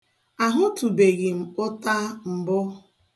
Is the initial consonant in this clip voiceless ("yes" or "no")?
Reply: no